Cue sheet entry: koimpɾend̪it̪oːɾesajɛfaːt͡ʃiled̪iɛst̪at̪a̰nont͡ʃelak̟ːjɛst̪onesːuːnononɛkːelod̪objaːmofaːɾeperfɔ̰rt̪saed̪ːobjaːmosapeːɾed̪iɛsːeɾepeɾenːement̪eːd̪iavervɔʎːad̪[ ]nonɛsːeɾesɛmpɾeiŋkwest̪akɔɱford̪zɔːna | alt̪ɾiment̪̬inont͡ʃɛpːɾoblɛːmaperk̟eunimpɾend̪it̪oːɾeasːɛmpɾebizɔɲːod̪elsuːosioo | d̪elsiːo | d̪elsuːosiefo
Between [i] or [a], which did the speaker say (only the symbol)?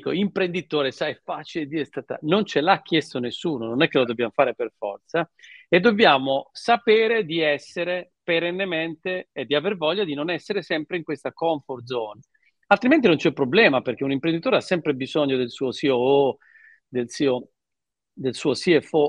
i